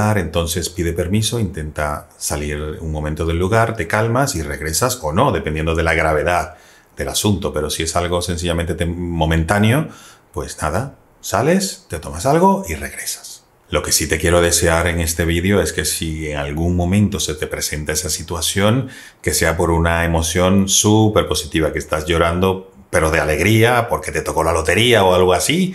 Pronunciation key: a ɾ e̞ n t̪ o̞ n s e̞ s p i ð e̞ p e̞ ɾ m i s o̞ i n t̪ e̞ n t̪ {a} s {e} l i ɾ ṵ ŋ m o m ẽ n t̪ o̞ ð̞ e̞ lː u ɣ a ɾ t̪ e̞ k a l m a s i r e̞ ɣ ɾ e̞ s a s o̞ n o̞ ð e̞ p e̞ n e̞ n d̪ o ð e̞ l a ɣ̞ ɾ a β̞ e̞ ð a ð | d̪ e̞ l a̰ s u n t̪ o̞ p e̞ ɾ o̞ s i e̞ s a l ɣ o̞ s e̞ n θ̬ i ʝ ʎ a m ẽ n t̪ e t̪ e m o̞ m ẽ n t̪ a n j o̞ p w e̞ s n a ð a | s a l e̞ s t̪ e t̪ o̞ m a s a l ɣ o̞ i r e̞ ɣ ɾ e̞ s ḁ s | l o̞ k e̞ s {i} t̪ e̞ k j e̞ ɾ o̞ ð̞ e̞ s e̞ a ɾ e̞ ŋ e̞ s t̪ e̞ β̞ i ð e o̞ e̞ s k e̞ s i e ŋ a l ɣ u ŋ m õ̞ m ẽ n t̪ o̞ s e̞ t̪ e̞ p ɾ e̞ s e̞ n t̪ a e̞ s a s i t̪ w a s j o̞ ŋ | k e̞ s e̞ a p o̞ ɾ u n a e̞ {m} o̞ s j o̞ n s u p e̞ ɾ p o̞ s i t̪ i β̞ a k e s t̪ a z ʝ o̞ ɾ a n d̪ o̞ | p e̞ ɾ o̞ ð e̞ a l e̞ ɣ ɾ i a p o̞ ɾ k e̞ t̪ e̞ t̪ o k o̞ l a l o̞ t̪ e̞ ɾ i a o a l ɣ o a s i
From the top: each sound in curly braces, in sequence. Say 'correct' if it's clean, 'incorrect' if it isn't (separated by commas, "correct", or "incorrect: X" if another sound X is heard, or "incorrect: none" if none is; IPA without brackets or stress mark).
correct, incorrect: a, correct, correct